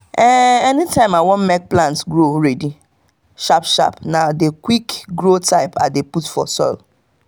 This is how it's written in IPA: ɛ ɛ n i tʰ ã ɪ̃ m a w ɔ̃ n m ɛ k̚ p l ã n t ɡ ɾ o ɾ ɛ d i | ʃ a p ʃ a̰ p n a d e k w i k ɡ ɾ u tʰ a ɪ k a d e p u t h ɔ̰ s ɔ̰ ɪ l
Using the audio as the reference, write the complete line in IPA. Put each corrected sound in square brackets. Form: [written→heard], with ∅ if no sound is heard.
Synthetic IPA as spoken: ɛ ɛ n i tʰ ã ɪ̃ m a w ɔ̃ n m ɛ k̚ p l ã n t ɡ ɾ o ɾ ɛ d i | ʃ a p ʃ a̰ p n a d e k w i k ɡ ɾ [u→o] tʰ a ɪ [k→p] a d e p u t [h→f] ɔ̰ s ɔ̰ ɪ l